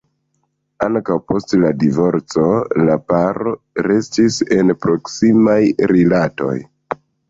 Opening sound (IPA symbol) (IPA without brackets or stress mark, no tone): a